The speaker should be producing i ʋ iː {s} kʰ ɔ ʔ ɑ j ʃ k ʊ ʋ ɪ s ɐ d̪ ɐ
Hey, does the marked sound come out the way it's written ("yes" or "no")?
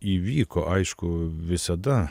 no